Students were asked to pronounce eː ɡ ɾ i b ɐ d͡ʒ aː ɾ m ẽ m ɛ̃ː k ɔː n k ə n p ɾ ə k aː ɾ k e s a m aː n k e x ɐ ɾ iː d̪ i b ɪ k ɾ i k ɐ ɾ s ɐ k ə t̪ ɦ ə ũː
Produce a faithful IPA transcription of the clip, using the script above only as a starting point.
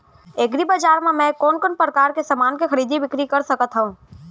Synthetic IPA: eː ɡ ɾ i b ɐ d͡ʒ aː ɾ m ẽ m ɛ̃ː k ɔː n k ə n p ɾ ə k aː ɾ k e s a m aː n k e x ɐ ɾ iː d̪ i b ɪ k ɾ i k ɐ ɾ s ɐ k ə t̪ ɦ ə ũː

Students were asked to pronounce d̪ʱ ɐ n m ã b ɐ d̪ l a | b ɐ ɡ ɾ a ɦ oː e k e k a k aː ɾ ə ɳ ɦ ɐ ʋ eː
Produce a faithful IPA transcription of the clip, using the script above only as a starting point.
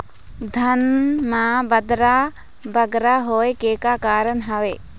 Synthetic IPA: d̪ʱ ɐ n m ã b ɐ d̪ ɾ a | b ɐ ɡ ɾ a ɦ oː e k e k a k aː ɾ ə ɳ ɦ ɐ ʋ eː

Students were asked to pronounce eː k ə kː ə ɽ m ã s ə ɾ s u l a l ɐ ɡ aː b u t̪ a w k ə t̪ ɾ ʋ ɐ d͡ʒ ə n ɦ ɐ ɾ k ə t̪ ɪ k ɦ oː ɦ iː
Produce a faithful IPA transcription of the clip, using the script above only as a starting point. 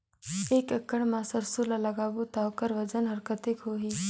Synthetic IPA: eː k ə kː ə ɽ m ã s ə ɾ s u l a l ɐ ɡ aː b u t̪ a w k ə ɾ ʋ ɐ d͡ʒ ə n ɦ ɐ ɾ k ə t̪ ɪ k ɦ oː ɦ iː

